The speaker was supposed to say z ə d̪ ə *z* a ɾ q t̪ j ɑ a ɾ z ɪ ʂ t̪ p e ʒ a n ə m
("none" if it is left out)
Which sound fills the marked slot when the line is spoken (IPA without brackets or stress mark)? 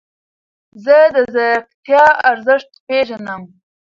z